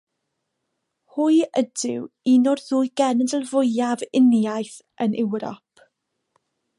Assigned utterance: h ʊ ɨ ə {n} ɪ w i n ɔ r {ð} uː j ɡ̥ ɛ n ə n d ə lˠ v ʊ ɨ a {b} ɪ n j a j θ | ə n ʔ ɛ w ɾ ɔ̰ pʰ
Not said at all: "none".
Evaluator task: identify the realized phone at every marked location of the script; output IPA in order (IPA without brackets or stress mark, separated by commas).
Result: d, ð, v